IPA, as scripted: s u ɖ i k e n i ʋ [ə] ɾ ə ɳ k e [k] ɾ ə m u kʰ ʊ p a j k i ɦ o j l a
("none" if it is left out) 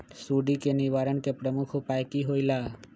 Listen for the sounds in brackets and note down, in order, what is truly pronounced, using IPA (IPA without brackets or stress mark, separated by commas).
a, p